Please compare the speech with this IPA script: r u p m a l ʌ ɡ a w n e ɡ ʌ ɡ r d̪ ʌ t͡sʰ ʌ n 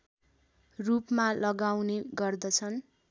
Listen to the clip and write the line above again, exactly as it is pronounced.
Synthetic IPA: r u p m a l ʌ ɡ a w n e ɡ ʌ r d̪ ʌ t͡sʰ ʌ n